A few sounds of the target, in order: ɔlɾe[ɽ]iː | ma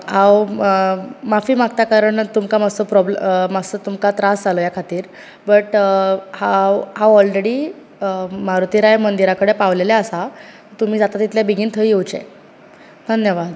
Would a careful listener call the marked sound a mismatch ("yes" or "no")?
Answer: no